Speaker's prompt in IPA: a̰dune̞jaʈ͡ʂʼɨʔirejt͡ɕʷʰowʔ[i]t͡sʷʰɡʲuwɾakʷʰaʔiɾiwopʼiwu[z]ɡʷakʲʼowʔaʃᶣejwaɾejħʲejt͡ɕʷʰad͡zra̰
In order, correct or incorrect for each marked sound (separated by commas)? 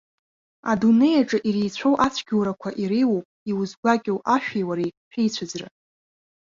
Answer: incorrect, correct